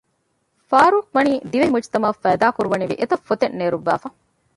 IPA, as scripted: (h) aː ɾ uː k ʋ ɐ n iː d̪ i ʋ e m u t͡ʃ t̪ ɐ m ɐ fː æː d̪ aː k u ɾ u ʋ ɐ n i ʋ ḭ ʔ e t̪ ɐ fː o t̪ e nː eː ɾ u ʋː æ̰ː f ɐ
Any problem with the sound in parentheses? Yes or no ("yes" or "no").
yes